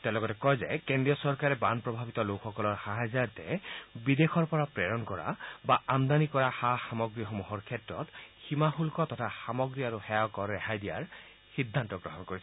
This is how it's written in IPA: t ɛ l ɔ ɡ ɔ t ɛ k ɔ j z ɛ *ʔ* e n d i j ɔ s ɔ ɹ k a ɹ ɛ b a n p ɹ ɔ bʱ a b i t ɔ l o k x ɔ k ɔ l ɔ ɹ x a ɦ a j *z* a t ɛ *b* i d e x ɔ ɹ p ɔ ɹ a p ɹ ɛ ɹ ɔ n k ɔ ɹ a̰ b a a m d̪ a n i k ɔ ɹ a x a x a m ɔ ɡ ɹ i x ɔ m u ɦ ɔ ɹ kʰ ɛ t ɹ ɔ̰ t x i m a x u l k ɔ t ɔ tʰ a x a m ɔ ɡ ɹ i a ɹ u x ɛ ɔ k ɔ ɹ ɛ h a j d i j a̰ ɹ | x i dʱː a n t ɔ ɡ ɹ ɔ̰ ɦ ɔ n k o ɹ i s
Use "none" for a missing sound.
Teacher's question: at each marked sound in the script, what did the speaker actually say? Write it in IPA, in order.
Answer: k, z, b

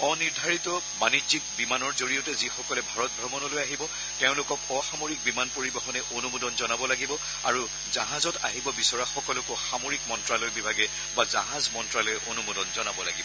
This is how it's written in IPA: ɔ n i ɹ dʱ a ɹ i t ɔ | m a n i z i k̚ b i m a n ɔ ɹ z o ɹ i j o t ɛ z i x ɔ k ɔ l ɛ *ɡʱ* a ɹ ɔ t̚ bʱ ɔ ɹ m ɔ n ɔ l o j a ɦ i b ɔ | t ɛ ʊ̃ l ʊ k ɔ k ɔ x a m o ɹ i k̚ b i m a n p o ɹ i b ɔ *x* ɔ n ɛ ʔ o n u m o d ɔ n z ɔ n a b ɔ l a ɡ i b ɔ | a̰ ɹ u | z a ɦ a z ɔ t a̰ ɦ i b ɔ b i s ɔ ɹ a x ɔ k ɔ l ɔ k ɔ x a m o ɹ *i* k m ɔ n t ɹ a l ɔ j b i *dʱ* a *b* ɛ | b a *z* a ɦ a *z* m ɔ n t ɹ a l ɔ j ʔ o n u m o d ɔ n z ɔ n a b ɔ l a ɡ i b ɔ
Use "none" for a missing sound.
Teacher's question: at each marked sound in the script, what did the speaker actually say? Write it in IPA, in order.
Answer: bʱ, x, i, bʱ, ɡ, z, z

